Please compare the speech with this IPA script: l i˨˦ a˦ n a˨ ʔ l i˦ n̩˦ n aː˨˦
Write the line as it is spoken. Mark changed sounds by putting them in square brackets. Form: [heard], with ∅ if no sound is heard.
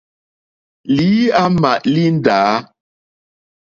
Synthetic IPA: l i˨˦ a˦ [m] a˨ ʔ l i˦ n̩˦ [d] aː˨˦